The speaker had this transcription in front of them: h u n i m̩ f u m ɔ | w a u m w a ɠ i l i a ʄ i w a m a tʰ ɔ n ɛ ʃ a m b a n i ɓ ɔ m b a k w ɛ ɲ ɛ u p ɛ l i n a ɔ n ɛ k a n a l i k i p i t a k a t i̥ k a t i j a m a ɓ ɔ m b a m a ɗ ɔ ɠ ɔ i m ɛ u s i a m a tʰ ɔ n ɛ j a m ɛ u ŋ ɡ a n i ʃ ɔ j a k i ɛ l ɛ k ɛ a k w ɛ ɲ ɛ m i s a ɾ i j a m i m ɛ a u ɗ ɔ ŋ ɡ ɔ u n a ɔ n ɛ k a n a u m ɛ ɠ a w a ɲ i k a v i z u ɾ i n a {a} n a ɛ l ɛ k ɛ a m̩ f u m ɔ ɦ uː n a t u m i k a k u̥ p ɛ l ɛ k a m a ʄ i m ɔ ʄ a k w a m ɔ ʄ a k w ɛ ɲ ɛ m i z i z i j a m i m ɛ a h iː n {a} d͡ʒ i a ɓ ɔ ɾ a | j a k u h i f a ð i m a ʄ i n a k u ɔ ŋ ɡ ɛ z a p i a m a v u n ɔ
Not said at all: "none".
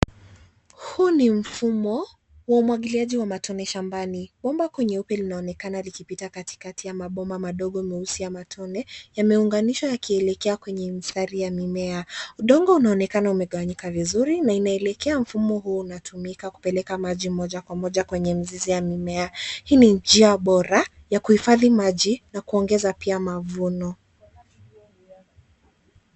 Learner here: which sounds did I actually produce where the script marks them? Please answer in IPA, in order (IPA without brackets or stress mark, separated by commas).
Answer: i, i